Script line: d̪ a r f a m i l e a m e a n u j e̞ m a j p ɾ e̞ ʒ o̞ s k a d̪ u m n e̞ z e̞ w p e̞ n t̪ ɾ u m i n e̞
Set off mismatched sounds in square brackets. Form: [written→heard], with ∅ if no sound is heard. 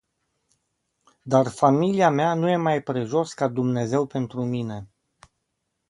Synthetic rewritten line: d̪ a r f a m i l [e→i] a m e a n u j e̞ m a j p ɾ e̞ ʒ o̞ s k a d̪ u m n e̞ z e̞ w p e̞ n t̪ ɾ u m i n e̞